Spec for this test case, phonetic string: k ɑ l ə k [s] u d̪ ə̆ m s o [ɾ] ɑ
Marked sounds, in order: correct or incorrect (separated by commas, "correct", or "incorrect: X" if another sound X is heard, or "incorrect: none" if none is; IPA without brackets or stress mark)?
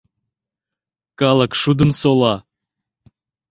incorrect: ʃ, incorrect: l